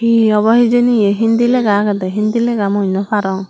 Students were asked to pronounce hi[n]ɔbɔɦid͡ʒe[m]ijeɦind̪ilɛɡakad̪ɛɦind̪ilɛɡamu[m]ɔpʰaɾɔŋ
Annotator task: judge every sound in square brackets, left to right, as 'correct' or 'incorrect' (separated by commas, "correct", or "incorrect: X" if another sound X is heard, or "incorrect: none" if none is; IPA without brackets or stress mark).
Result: incorrect: none, incorrect: n, incorrect: n